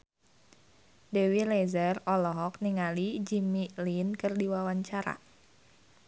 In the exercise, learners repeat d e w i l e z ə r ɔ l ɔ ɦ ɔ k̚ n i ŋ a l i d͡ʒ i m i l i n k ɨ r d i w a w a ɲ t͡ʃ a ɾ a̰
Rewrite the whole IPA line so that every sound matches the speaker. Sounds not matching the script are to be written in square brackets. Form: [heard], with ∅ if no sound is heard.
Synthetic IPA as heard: d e w i l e z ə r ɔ l ɔ ɦ ɔ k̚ n i ŋ a l i d͡ʒ i m i l i n k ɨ r d i w a w a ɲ t͡ʃ a ɾ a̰

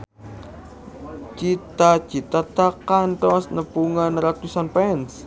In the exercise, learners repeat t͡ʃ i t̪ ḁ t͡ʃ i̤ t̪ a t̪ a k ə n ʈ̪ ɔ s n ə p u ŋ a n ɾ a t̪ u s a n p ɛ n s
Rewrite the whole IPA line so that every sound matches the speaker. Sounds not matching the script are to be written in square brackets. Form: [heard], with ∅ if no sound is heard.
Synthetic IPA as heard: t͡ʃ i t̪ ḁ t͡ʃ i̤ t̪ a t̪ a k [a] n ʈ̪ ɔ s n ə p u ŋ a n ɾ a t̪ u s a n p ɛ n s

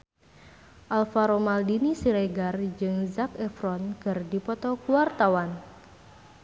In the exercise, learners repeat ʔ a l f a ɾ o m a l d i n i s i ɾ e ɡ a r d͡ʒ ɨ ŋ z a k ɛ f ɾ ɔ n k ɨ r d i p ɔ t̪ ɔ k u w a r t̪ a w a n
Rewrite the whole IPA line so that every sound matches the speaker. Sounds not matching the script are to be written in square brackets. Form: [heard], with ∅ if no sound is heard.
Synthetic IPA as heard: ʔ a l f a ɾ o m a l d i n i s i ɾ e ɡ a r d͡ʒ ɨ ŋ z a k ɛ f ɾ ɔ n k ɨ r d i p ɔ t̪ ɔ k u w a r t̪ a w a n

